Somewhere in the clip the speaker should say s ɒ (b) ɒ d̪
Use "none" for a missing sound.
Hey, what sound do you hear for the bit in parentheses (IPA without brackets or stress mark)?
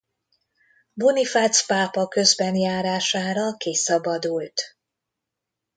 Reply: b